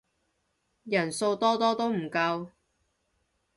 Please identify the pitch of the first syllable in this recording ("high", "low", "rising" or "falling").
low